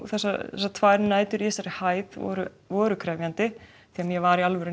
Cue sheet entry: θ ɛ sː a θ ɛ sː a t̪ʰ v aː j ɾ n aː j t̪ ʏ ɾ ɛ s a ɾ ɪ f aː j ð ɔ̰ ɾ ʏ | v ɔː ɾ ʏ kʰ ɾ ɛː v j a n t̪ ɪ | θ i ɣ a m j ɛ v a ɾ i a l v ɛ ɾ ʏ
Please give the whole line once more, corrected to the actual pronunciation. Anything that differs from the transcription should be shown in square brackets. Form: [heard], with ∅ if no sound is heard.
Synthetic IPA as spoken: θ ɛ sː a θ ɛ sː a t̪ʰ v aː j ɾ n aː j t̪ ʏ ɾ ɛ s a ɾ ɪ [h] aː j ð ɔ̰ ɾ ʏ | v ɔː ɾ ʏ kʰ ɾ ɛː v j a n t̪ ɪ | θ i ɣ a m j ɛ v a ɾ i a l v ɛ ɾ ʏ